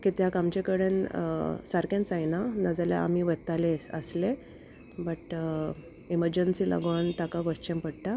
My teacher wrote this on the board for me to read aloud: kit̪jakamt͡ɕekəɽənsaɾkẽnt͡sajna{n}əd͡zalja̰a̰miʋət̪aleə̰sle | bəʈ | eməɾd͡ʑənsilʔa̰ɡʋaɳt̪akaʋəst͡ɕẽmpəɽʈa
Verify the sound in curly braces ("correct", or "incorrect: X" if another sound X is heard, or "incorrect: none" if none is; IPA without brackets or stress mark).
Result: correct